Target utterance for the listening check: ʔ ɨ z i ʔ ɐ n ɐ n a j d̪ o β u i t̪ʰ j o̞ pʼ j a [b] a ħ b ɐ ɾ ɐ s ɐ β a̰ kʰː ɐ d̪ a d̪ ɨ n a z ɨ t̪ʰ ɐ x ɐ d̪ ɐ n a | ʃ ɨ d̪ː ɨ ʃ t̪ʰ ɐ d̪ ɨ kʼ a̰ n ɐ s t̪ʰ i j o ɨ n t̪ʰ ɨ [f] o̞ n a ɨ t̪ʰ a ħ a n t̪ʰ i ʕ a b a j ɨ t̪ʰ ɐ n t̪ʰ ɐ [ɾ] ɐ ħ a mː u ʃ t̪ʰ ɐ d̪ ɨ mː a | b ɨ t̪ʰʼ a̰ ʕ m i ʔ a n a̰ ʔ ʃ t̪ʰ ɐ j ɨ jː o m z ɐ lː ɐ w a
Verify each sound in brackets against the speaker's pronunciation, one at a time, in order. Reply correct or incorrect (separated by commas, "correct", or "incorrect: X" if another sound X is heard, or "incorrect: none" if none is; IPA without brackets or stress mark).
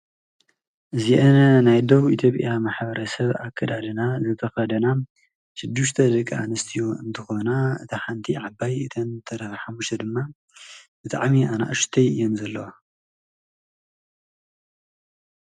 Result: incorrect: m, incorrect: x, correct